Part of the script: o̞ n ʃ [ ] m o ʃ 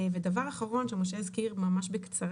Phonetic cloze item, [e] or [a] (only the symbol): e